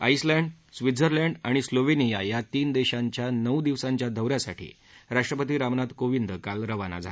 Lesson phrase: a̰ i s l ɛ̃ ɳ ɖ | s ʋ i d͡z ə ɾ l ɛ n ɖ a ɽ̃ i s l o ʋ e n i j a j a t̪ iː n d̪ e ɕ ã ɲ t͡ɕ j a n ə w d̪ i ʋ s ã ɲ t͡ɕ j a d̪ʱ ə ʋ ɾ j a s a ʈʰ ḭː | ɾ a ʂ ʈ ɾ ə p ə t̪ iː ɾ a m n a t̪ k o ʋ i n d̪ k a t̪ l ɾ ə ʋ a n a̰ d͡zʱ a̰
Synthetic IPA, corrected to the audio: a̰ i s l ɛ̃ ɳ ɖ | s ʋ i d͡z ə ɾ l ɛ ɳ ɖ a ɽ̃ i s l o ʋ e n i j a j a t̪ iː n d̪ e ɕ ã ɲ t͡ɕ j a n ə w d̪ i ʋ s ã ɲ t͡ɕ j a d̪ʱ ə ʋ ɾ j a s a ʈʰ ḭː | ɾ a ʂ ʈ ɾ ə p ə t̪ iː ɾ a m n a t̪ k o ʋ i n d̪ k a l ɾ ə ʋ a n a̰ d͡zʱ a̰